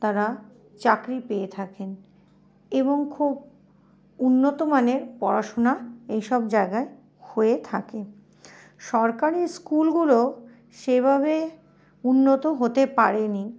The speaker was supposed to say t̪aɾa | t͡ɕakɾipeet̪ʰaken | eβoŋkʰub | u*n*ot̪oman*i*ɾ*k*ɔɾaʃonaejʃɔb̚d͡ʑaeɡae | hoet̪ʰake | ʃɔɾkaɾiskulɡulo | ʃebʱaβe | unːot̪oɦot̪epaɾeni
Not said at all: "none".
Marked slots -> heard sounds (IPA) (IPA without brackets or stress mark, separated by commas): nː, e, p